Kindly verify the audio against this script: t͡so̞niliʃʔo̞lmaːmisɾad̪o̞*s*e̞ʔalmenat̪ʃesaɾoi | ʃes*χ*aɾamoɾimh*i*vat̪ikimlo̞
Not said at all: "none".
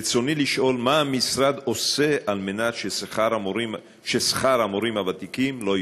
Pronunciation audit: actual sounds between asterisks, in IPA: s, χ, a

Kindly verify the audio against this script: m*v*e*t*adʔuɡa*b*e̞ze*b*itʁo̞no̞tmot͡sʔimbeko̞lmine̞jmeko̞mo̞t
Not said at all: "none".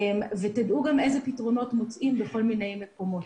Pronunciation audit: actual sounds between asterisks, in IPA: v, t, m, p

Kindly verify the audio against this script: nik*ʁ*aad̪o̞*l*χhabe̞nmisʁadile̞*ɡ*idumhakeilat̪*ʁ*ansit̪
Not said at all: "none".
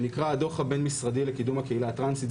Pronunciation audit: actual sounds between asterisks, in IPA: ʁ, none, k, ʁ

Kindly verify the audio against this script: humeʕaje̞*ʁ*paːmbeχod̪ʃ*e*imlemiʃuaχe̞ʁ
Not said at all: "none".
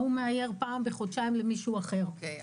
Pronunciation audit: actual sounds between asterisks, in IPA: ʁ, a

